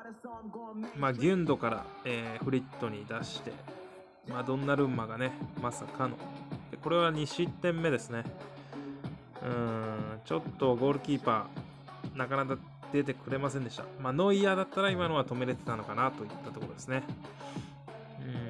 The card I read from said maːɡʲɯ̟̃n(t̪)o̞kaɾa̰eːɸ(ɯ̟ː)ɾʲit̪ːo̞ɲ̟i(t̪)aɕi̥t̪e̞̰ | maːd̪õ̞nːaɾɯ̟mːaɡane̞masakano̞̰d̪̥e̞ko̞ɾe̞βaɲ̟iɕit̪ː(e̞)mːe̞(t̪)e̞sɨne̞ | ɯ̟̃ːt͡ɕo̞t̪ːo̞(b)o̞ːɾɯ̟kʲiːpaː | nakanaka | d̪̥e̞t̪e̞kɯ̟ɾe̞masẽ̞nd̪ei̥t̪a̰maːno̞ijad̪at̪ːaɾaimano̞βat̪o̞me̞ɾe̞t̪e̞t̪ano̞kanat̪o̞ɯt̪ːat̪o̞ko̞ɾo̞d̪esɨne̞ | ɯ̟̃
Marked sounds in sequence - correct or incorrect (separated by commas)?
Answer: incorrect, incorrect, incorrect, incorrect, incorrect, incorrect